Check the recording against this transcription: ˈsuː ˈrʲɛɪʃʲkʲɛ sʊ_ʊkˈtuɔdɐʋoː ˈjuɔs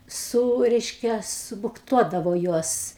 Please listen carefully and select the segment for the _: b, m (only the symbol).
b